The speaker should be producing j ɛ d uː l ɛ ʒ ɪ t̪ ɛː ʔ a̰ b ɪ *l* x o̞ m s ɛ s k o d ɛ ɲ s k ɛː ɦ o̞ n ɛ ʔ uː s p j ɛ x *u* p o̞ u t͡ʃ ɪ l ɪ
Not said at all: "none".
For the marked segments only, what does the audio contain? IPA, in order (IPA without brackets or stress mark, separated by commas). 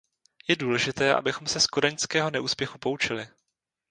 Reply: none, u